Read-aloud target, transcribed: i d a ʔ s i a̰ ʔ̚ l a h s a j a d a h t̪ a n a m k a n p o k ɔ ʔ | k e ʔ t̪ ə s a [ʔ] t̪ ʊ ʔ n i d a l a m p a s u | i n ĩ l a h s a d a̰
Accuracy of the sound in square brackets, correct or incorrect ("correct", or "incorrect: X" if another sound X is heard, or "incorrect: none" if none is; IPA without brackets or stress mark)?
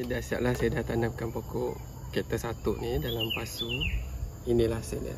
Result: incorrect: none